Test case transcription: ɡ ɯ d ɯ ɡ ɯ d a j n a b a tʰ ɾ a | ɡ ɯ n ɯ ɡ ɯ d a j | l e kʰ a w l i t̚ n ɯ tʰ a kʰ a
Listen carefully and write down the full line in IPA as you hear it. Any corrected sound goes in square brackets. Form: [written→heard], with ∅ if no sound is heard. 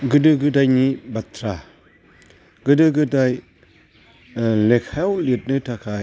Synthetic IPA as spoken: ɡ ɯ d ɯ ɡ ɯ d a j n [a→i] b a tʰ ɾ a | ɡ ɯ [n→d] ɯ ɡ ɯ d a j | l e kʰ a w l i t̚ n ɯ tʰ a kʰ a